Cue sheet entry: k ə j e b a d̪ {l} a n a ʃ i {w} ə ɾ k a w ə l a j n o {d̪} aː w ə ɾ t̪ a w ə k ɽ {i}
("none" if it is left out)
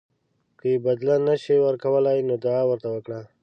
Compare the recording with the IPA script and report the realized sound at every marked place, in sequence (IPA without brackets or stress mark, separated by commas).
l, w, d̪, a